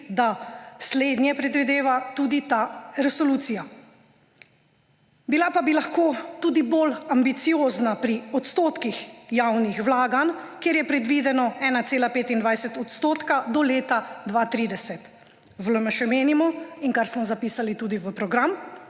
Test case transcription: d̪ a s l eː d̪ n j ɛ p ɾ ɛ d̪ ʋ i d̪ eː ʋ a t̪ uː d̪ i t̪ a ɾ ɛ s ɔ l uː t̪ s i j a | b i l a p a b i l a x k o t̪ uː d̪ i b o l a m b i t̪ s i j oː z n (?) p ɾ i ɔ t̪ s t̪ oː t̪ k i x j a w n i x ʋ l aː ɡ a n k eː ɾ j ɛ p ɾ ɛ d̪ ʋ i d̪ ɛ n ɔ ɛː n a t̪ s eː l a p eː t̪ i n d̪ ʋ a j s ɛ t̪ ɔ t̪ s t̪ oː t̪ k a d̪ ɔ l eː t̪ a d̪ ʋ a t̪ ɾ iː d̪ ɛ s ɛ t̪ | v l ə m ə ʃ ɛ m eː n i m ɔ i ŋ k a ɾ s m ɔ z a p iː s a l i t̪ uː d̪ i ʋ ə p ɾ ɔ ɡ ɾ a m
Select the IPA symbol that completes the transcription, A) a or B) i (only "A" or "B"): A